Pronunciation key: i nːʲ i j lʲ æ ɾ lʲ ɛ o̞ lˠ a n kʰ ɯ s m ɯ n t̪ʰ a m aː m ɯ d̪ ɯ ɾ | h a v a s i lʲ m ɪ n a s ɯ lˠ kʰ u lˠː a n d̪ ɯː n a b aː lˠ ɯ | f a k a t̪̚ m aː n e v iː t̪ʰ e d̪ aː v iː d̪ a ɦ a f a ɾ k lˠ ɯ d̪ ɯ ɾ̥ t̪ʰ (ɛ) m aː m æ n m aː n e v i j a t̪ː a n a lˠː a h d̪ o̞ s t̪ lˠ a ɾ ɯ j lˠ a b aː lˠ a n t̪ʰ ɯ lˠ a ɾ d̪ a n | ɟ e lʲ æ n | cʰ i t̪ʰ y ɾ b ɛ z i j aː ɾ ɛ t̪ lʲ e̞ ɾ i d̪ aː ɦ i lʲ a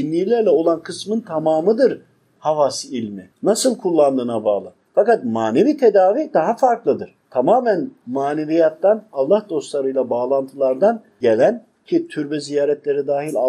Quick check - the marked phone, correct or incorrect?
incorrect